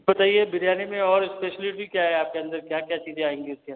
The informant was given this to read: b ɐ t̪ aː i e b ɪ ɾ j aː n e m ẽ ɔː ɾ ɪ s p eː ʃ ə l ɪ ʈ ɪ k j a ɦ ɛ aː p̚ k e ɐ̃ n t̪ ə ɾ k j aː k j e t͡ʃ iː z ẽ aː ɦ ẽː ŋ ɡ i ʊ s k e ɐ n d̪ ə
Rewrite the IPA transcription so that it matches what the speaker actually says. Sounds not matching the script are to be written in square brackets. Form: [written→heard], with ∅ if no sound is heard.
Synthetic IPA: b ɐ t̪ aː i e b ɪ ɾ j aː n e m ẽ ɔː ɾ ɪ s p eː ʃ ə l ɪ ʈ [ɪ→i] k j a ɦ ɛ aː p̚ k e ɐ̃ n [t̪→d̪] ə ɾ k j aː k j [e→a] t͡ʃ iː z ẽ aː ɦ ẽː ŋ ɡ i ʊ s k e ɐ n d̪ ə